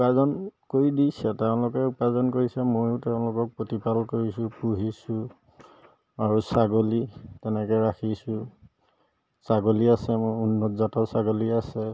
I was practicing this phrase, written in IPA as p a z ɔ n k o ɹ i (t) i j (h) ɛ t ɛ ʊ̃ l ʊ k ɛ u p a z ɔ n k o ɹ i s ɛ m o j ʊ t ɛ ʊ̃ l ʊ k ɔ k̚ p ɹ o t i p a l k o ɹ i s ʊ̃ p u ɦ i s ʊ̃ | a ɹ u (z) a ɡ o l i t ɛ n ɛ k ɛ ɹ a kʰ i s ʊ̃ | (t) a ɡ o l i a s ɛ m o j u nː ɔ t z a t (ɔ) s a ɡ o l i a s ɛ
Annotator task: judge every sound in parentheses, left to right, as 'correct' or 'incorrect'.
incorrect: d, incorrect: s, incorrect: s, incorrect: s, correct

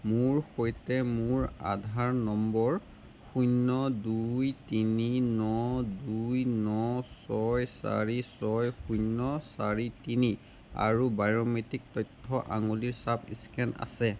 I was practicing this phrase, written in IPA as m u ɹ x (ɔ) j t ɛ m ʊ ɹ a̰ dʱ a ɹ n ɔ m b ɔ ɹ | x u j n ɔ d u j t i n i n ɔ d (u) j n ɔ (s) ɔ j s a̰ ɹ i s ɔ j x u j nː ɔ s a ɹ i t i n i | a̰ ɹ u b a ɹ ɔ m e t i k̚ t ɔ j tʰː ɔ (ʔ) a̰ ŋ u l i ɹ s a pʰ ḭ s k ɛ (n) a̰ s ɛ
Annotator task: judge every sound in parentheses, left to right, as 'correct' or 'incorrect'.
incorrect: o, correct, correct, correct, correct

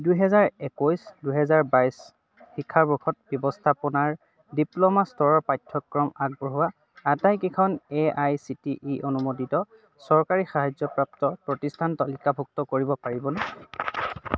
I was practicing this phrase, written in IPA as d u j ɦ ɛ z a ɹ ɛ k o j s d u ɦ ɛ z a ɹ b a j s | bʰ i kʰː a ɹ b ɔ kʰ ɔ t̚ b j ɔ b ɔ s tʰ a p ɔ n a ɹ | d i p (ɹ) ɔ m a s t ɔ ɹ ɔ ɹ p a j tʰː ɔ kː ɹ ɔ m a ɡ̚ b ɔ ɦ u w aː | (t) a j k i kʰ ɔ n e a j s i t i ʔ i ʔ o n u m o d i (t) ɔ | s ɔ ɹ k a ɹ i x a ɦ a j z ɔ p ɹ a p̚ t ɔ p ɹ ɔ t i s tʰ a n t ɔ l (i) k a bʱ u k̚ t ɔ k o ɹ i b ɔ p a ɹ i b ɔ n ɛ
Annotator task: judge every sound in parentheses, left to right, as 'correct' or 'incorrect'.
incorrect: l, correct, correct, correct

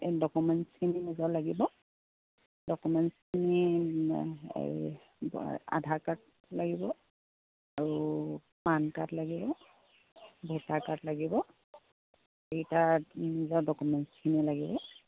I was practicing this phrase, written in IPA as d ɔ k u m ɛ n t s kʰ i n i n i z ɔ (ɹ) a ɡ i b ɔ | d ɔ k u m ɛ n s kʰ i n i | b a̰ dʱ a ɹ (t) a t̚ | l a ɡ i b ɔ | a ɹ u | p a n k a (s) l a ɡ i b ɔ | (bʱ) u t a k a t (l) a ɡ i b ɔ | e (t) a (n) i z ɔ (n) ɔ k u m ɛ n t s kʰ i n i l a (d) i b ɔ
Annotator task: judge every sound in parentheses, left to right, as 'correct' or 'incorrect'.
incorrect: l, incorrect: k, incorrect: t, correct, correct, correct, correct, incorrect: d, incorrect: ɡ

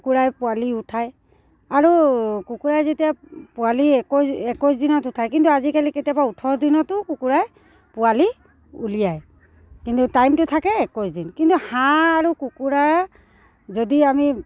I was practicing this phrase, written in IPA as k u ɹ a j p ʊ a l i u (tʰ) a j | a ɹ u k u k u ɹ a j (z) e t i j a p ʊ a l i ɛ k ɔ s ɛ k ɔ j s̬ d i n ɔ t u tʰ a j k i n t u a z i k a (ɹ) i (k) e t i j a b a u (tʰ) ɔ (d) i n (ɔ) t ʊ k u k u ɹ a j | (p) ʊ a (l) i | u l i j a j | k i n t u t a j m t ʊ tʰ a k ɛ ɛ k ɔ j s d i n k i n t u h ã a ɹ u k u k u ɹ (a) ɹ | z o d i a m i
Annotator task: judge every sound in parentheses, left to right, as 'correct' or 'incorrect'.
correct, correct, incorrect: l, correct, correct, correct, correct, correct, correct, correct

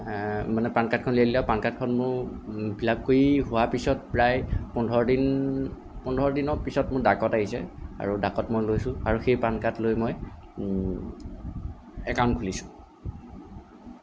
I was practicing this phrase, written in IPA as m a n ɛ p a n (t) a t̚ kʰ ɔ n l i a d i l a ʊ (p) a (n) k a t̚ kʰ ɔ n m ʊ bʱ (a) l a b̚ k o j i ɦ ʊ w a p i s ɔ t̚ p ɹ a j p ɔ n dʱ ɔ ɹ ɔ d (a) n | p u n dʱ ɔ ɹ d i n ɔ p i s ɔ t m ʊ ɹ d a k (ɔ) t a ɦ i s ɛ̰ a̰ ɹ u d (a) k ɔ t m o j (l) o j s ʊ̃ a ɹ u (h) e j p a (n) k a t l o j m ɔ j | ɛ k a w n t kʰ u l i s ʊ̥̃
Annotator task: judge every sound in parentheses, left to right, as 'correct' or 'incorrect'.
incorrect: k, correct, correct, incorrect: i, incorrect: i, correct, correct, correct, incorrect: x, correct

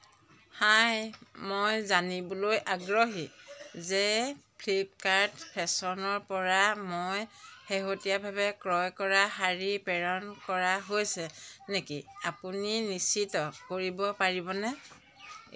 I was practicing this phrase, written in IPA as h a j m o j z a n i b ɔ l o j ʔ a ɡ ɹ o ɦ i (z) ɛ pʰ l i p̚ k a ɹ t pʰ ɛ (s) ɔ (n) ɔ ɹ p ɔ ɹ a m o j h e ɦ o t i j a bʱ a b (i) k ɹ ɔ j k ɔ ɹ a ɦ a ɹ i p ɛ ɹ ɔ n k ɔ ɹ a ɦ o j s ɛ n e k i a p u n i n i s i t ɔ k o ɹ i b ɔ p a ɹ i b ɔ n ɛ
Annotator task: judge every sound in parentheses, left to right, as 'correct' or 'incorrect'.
correct, correct, correct, incorrect: ɛ

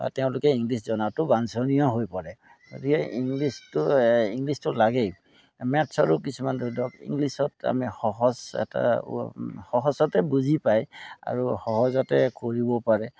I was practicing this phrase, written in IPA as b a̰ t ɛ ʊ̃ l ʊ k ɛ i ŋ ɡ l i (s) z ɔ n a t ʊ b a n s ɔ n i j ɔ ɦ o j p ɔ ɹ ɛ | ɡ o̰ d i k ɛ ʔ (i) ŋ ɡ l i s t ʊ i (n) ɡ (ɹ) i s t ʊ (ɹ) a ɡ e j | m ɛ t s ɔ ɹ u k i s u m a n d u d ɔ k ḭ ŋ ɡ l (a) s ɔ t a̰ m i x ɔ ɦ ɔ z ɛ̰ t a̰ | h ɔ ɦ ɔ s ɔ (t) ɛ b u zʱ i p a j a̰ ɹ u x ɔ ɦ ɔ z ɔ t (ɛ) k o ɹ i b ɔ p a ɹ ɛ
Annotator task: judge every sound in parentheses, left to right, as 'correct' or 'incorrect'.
correct, correct, incorrect: ŋ, incorrect: l, incorrect: l, incorrect: i, correct, correct

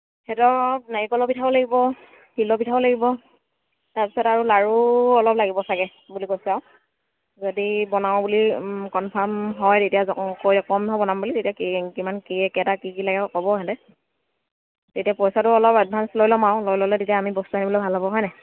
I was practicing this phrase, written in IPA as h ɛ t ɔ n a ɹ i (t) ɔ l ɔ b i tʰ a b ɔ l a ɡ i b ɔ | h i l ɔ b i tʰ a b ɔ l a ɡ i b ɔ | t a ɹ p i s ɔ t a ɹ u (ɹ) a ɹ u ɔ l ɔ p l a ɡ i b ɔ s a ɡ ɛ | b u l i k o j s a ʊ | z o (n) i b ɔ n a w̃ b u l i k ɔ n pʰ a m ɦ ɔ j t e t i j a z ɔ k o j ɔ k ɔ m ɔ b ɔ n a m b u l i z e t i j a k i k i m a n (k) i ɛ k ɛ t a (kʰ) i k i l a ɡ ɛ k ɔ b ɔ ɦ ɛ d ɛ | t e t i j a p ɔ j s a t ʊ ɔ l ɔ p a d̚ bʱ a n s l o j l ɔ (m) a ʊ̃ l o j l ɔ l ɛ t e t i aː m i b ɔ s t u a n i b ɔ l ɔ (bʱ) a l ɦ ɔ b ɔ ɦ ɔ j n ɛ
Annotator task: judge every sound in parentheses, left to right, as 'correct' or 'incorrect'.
incorrect: k, incorrect: l, incorrect: d, correct, incorrect: k, correct, correct

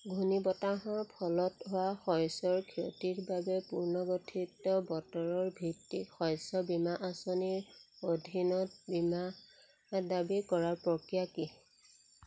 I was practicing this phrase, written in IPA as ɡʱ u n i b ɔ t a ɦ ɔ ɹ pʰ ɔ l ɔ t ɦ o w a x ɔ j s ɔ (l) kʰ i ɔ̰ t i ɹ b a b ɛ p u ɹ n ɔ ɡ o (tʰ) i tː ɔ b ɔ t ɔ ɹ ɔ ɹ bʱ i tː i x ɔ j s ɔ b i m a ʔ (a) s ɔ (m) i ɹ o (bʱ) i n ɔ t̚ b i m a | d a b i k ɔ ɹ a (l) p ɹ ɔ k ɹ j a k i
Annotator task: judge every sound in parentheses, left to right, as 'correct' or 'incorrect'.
incorrect: ɹ, correct, correct, incorrect: n, incorrect: dʱ, incorrect: ɹ

